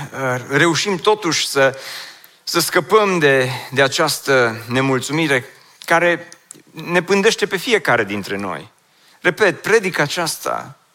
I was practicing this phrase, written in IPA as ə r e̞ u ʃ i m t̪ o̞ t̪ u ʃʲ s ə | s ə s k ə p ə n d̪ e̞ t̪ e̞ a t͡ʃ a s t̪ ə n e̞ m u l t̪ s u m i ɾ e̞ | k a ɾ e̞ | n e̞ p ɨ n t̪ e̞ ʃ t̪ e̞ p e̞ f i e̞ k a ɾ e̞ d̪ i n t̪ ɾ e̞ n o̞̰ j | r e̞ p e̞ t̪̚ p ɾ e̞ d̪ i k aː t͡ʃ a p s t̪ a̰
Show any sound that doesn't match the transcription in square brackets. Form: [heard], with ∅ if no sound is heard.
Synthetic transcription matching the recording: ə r e̞ u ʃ i m t̪ o̞ t̪ u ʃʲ s ə | s ə s k ə p ə [m] d̪ e̞ [d̪] e̞ a t͡ʃ a s t̪ ə n e̞ m u l t̪ s u m i ɾ e̞ | k a ɾ e̞ | n e̞ p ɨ n [d̪] e̞ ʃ t̪ e̞ p e̞ f i e̞ k a ɾ e̞ d̪ i n t̪ ɾ e̞ n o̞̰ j | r e̞ p e̞ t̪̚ p ɾ e̞ d̪ i k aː t͡ʃ a [∅] s t̪ a̰